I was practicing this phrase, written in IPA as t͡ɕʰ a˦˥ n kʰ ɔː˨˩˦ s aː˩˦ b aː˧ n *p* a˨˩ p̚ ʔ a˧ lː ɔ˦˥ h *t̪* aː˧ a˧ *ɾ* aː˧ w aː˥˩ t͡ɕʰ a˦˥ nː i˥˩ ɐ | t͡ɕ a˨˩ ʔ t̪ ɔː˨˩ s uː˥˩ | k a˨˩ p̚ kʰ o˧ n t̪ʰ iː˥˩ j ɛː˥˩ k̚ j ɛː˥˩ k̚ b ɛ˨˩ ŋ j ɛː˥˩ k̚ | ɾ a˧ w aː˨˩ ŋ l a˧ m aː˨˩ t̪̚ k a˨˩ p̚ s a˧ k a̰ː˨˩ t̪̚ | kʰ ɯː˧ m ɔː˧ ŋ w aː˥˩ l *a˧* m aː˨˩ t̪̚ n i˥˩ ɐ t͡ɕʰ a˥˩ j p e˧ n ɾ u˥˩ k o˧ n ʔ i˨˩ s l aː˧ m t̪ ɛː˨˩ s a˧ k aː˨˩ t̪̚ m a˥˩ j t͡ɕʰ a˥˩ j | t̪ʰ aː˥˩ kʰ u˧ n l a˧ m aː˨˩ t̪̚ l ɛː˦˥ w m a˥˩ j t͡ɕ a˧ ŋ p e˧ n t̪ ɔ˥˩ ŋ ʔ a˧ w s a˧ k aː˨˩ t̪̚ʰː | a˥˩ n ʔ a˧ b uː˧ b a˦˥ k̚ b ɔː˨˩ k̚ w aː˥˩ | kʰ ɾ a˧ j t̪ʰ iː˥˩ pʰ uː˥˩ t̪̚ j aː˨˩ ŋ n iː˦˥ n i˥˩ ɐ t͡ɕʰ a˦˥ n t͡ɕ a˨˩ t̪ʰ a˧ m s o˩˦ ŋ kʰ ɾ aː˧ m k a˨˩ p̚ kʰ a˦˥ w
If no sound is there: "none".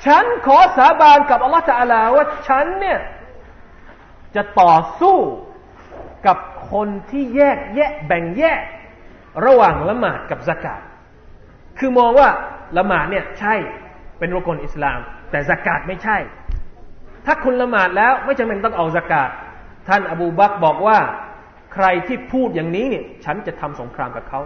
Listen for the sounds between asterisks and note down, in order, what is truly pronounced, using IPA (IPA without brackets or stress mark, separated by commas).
k, t̪, l, a˧